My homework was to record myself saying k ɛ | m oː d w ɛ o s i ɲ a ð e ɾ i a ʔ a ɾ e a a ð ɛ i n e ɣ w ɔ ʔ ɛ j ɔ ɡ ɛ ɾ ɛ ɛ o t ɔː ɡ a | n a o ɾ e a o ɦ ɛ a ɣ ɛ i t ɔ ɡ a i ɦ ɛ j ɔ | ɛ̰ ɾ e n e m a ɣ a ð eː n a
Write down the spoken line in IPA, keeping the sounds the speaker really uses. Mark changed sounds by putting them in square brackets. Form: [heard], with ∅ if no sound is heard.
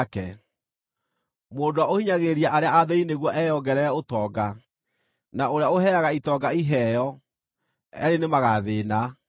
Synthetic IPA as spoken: k ɛ | m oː d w [a] o [h] i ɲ a [ɣ] e ɾ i a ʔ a ɾ e a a ð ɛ i n e ɣ w ɔ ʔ ɛ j ɔ ɡ ɛ ɾ ɛ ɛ o t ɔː ɡ a | n a o ɾ e a o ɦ ɛ a ɣ [a] i t ɔ ɡ a i ɦ ɛ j ɔ | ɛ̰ ɾ e n e m a ɣ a ð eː n a